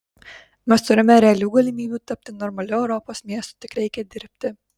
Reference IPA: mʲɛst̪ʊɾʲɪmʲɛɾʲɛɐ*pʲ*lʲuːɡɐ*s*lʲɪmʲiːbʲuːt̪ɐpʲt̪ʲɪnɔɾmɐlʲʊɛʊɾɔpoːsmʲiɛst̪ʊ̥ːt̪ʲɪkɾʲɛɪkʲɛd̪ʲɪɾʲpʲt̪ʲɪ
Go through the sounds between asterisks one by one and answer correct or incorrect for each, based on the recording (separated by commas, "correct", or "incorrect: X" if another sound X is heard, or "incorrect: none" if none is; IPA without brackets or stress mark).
incorrect: none, incorrect: none